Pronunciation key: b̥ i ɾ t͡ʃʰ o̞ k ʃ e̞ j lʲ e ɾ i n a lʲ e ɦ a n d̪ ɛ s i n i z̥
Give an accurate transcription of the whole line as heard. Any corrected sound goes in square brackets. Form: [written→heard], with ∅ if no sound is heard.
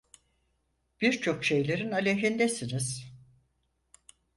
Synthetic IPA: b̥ i ɾ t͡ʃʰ o̞ k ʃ e̞ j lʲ e ɾ i n a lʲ e ɦ [a→i] n d̪ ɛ s i n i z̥